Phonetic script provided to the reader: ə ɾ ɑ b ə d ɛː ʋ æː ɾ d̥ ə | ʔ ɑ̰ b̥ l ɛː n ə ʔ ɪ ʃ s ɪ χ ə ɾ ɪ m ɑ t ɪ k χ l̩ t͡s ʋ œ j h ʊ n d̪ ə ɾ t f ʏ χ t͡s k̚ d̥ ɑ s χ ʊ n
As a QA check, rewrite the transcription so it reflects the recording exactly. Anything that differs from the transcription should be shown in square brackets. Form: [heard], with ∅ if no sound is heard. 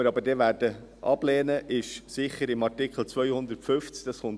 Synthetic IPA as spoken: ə ɾ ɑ b ə d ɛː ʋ æː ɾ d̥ ə | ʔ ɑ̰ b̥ l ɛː n ə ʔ ɪ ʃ s ɪ χ ə ɾ ɪ m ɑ t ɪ k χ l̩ t͡s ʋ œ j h ʊ n d̪ ə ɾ t f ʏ [f] t͡s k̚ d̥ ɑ s χ ʊ n